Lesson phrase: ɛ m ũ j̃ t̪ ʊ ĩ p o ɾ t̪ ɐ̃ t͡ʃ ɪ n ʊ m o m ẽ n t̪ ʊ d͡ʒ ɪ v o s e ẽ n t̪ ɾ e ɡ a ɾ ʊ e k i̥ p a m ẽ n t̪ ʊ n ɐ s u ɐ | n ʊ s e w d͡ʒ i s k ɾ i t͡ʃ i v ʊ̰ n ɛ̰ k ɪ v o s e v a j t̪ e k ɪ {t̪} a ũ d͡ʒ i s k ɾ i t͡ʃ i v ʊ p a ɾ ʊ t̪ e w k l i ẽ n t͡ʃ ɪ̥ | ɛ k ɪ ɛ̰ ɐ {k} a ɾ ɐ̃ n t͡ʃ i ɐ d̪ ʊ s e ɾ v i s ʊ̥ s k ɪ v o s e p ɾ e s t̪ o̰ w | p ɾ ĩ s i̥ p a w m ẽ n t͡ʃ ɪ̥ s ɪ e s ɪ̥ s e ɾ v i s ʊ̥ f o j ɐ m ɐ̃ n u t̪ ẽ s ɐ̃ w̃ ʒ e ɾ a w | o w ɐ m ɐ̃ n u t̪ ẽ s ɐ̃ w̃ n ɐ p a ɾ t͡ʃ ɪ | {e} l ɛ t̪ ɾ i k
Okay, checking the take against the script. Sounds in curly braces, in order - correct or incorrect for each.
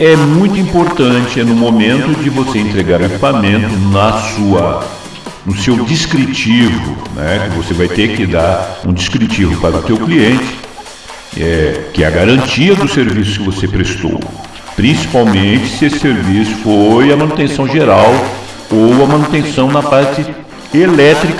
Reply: incorrect: d̪, incorrect: ɡ, correct

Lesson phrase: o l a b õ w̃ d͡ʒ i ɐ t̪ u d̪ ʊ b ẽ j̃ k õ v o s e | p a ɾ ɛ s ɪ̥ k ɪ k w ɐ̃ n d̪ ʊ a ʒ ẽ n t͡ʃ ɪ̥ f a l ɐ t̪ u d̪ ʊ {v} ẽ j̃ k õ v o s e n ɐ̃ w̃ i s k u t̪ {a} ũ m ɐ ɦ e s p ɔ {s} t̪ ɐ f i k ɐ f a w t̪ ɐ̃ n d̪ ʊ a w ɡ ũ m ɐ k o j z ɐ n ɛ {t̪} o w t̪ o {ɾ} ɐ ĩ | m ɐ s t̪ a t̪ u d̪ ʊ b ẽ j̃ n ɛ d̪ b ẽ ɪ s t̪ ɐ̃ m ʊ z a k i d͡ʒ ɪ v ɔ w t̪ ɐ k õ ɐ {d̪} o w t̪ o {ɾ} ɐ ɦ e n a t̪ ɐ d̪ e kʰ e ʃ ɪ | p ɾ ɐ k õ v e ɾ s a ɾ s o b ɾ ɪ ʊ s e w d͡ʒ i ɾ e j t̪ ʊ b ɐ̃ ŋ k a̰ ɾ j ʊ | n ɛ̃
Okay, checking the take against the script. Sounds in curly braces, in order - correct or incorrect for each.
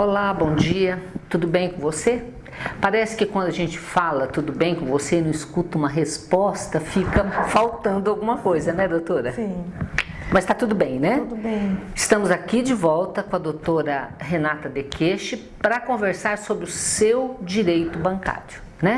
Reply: incorrect: b, incorrect: ɐ, correct, incorrect: d̪, correct, correct, correct

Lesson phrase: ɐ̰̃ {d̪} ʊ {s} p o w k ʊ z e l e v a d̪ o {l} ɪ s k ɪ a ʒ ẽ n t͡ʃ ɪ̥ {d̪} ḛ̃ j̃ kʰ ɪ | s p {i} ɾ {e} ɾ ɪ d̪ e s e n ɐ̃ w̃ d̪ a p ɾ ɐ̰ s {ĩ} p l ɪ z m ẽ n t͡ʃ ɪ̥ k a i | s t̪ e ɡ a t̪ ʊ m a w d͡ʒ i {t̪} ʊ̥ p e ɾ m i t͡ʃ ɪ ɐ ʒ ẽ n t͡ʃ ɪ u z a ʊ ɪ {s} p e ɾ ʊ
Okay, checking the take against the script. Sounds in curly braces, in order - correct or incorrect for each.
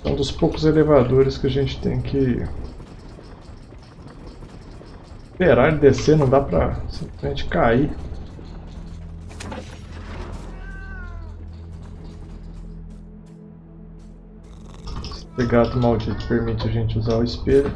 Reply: correct, correct, incorrect: ɾ, incorrect: t̪, incorrect: e, incorrect: a, correct, correct, correct

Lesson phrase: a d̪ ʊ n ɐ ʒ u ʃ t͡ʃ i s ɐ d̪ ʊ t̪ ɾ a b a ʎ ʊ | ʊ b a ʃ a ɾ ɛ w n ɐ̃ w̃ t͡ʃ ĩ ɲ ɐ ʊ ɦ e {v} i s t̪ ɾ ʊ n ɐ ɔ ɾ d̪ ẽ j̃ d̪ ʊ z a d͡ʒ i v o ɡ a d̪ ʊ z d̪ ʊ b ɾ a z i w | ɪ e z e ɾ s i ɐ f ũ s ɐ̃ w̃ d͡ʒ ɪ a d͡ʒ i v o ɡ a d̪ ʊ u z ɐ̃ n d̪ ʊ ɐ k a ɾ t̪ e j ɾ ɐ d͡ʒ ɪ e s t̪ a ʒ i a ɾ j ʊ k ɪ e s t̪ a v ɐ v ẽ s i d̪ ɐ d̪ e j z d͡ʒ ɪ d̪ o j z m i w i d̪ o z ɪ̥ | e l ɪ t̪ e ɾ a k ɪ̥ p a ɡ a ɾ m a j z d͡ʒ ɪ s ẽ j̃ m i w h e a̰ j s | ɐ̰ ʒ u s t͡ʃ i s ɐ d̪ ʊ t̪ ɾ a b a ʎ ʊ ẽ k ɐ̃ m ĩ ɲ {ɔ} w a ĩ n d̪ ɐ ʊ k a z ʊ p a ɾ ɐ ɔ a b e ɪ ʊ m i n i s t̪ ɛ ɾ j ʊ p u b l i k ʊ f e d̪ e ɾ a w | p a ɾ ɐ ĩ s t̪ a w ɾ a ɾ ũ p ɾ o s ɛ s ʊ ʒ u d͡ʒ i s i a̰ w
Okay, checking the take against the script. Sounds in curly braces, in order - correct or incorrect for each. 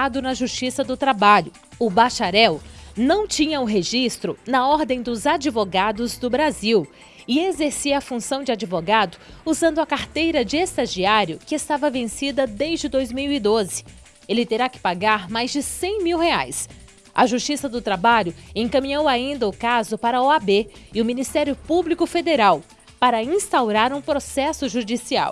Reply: incorrect: ʒ, incorrect: o

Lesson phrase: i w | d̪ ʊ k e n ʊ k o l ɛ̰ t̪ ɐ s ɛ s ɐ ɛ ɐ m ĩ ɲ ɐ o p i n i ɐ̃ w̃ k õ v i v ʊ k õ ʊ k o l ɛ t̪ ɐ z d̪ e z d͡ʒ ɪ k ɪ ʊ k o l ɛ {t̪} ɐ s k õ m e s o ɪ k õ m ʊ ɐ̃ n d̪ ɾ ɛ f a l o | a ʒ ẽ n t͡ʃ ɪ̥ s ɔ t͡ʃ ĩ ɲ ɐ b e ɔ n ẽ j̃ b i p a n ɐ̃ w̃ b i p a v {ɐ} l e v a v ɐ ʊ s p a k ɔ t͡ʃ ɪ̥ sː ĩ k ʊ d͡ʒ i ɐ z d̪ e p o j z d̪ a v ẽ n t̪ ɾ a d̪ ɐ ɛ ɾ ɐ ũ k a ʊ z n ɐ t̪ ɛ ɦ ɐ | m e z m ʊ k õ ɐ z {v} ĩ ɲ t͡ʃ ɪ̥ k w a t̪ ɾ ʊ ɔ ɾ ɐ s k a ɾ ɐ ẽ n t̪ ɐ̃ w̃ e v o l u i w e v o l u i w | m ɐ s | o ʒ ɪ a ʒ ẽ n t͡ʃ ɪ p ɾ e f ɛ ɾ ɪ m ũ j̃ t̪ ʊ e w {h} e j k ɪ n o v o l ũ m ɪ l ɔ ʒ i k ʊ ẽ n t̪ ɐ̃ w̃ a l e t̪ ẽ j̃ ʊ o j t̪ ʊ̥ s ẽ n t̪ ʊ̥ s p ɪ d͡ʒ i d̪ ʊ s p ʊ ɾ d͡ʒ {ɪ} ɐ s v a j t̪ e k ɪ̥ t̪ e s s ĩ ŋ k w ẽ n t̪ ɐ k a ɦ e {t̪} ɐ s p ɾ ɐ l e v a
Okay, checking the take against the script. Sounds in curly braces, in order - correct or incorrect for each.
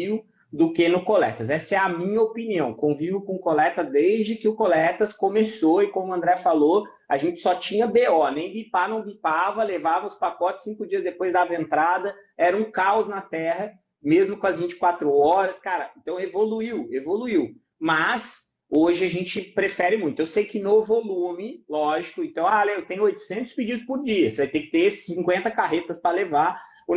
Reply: correct, correct, correct, incorrect: s, incorrect: i, correct

